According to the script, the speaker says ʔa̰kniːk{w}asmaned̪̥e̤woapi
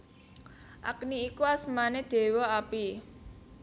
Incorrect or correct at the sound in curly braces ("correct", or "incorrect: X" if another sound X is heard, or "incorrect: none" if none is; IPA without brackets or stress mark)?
incorrect: u